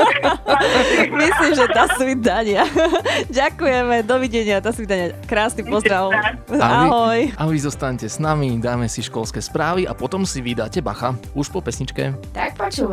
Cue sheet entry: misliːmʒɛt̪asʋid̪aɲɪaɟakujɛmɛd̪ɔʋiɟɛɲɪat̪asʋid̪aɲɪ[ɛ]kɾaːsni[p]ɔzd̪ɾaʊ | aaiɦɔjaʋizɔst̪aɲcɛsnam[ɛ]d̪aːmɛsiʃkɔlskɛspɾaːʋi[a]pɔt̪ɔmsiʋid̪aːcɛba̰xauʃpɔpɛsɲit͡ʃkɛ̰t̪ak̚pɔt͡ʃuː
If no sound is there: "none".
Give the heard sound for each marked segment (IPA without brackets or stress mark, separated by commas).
a, p, i, a